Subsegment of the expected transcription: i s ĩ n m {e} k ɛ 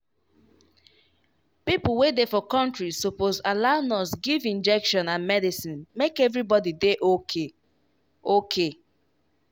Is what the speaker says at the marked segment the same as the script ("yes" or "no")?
yes